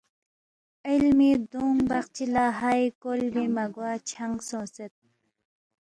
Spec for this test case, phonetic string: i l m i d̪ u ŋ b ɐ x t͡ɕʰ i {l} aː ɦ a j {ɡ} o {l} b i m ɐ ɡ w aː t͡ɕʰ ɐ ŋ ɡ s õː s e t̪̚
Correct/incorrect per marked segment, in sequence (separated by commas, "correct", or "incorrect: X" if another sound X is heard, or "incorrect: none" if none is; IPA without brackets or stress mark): correct, incorrect: k, correct